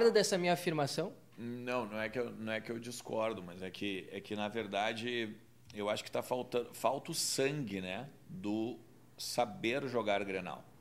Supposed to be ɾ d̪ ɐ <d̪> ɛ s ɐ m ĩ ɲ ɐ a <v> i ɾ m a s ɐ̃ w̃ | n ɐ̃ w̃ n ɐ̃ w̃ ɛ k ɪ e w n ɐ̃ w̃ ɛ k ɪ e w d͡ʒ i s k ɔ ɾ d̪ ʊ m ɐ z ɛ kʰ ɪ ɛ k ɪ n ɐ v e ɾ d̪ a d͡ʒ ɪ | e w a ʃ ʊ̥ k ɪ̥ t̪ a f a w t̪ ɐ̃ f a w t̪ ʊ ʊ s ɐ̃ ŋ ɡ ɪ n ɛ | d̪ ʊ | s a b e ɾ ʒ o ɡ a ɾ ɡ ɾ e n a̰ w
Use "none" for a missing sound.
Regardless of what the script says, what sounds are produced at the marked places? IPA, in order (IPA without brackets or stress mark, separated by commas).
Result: d̪, f